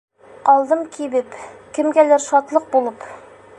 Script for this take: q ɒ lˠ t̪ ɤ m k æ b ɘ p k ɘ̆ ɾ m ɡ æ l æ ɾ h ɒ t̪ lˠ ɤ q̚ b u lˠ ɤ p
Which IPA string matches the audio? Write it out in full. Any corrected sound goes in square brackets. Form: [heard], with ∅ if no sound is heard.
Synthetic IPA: q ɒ lˠ [d̪] ɤ m k [i] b ɘ p k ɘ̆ [∅] m ɡ æ l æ ɾ [ʃ] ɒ t̪ lˠ ɤ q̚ b u lˠ ɤ p